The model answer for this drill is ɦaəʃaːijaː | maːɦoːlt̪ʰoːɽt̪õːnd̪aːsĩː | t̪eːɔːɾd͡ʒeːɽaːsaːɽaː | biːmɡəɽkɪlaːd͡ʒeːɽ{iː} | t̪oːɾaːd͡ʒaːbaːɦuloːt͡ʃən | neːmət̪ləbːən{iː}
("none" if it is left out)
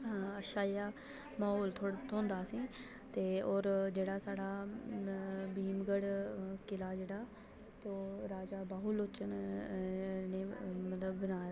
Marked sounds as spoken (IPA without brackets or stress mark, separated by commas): aː, aː